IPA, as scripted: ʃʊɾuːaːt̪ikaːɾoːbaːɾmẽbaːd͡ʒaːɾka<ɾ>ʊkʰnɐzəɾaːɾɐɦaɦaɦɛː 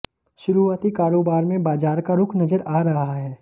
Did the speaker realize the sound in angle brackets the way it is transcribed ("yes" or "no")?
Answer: yes